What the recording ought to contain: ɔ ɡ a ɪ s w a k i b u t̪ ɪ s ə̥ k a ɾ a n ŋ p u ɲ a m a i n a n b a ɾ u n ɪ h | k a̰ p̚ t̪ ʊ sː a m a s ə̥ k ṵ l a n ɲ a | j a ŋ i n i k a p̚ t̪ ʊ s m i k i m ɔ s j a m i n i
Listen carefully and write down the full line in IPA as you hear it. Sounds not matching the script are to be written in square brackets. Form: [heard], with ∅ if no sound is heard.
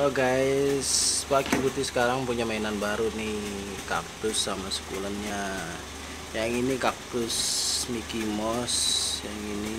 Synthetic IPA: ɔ ɡ a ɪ s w a k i b u t̪ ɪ s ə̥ k a ɾ a [∅] ŋ p u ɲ a m a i n a n b a ɾ u n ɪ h | k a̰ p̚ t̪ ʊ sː a m a s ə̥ k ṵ l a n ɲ a | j a ŋ i n i k a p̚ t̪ ʊ s m i k i m ɔ s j a [ŋ] i n i

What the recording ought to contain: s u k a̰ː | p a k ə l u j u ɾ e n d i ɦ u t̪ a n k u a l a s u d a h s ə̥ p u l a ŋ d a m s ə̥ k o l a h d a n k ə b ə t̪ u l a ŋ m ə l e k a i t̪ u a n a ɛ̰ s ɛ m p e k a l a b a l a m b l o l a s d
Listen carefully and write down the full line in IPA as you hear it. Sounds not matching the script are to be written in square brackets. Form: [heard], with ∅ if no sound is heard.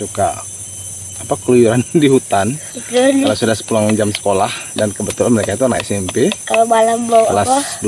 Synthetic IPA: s u k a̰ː | p a k ə l u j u ɾ [a] n d i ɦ u t̪ a n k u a l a s u d a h s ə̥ p u l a ŋ [d͡ʒ] a m s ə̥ k o l a h d a n k ə b ə t̪ u l a [n] m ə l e k a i t̪ u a n a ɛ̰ s ɛ m p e k a l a b a l a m b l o l a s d

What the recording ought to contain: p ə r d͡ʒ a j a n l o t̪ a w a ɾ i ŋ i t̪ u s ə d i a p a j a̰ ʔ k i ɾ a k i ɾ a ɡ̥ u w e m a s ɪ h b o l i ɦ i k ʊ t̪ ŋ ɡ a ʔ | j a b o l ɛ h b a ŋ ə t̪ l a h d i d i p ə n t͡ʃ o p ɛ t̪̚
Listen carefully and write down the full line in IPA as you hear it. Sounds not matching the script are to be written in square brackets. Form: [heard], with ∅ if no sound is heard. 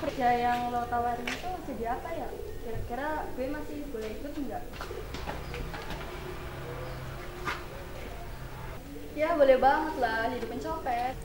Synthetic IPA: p ə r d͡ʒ a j a [ŋ] l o t̪ a w a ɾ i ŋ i t̪ u s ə d i a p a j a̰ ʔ k i ɾ a k i ɾ a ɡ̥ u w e m a s ɪ h b o l [ɛ] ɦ i k ʊ t̪ ŋ ɡ a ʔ | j a b o l ɛ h b a ŋ ə t̪ l a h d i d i p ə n t͡ʃ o p ɛ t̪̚

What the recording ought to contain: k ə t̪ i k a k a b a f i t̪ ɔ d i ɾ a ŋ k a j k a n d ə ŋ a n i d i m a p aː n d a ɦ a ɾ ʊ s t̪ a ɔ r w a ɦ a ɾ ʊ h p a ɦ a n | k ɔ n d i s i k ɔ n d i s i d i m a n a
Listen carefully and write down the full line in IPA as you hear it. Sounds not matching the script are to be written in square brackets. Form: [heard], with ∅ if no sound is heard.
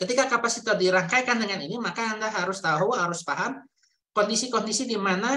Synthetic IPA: k ə t̪ i k a k a [p] a [s] i t̪ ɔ d i ɾ a ŋ k a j k a n d ə ŋ a n i [n] i m a [k] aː n d a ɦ a ɾ ʊ s t̪ a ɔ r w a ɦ a ɾ ʊ [s] p a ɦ a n | k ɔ n d i s i k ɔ n d i s i d i m a n a

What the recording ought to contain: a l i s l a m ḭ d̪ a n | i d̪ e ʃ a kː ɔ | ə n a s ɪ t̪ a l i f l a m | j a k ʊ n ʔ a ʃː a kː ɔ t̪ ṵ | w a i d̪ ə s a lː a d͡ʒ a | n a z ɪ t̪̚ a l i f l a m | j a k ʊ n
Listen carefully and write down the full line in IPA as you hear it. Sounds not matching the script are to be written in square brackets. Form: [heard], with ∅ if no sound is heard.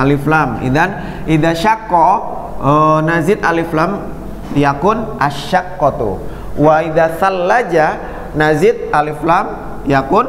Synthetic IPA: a l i [f] l a m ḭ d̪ a n | i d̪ [a] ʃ a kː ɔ | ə n a [z] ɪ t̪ a l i f l a m | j a k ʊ n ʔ a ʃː a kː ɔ t̪ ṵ | w a i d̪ [a] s a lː a d͡ʒ a | n a z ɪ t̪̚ a l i f l a m | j a k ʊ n

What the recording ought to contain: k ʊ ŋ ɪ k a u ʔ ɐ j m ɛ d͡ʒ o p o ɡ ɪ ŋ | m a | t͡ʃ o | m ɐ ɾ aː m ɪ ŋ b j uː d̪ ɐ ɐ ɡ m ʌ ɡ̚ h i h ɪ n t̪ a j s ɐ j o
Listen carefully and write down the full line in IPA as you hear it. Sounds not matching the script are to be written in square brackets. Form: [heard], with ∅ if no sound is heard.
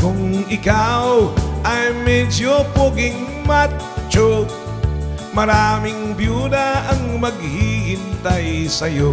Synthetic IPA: k ʊ ŋ ɪ k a [w] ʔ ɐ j m ɛ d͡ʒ o p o ɡ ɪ ŋ | m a | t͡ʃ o | m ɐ ɾ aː m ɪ ŋ b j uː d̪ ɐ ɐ [ŋ] m [ɐ] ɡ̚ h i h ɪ n t̪ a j s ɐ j o

